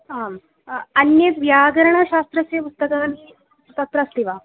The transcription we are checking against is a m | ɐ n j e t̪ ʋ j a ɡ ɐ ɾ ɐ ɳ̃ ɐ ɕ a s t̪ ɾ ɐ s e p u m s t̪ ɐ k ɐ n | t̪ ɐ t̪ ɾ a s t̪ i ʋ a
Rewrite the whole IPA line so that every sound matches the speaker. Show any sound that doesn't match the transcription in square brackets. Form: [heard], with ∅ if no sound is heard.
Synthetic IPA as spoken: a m | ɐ n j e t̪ ʋ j a ɡ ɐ ɾ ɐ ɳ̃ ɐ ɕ a s t̪ ɾ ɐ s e p u [∅] s t̪ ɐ k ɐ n | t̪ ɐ t̪ ɾ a s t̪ i ʋ a